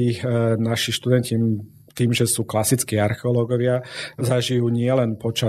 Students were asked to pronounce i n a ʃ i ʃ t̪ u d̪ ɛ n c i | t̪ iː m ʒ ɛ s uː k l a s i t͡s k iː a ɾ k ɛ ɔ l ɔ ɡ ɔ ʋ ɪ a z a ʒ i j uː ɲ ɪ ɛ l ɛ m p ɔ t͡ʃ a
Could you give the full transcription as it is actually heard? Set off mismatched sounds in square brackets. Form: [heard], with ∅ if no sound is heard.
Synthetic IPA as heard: i n a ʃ i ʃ t̪ u d̪ ɛ n c i | t̪ iː m ʒ ɛ s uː k l a s i t͡s k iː a ɾ [x] ɛ ɔ l ɔ ɡ ɔ ʋ ɪ a z a ʒ i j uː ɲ ɪ ɛ l ɛ [n] p ɔ t͡ʃ a